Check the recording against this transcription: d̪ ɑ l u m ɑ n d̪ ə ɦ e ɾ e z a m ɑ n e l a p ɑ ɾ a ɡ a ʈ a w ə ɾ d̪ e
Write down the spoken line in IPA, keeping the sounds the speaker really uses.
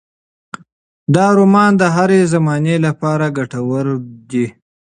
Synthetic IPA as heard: d̪ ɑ ɾ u m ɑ n d̪ ə ɦ a ɾ e z a m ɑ n e l a p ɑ ɾ a ɡ a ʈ a w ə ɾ d̪ i